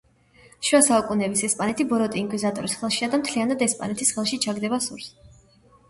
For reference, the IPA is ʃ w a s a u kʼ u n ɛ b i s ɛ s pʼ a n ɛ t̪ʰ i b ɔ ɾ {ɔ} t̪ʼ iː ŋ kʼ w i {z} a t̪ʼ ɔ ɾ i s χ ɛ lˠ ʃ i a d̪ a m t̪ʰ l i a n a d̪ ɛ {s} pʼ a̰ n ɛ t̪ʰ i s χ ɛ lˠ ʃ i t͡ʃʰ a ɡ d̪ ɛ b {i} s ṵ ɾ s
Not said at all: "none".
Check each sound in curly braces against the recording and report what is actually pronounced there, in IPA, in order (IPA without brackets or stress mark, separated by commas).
ɔ, z, s, a